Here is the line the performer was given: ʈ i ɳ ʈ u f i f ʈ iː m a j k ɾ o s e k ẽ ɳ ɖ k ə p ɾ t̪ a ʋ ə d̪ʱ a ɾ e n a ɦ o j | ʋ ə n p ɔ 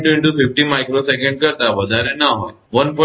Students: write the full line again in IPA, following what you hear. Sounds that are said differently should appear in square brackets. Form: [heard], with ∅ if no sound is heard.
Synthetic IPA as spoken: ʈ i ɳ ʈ u f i f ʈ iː m a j k ɾ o s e k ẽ ɳ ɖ k ə [∅] ɾ t̪ a ʋ ə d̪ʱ a ɾ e n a ɦ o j | ʋ ə n p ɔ